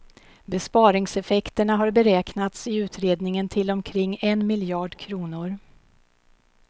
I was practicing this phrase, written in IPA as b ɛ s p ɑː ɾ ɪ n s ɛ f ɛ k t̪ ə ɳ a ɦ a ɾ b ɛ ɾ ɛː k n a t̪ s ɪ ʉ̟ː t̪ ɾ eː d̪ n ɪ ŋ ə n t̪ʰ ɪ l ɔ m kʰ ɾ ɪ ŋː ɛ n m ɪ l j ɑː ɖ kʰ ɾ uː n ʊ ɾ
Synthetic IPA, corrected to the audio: b ɛ s p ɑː ɾ ɪ ŋ s ɛ f ɛ k t̪ ə ɳ a ɦ a ɾ b ɛ ɾ ɛː k n a t̪ s ɪ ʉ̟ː t̪ ɾ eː d̪ n ɪ ŋ ə n t̪ʰ ɪ l ɔ m kʰ ɾ ɪ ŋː ɛ n m ɪ l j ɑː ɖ kʰ ɾ uː n ʊ ɾ